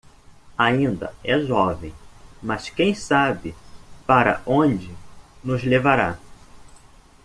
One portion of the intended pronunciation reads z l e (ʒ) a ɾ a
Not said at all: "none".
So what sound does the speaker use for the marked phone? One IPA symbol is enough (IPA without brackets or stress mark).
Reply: v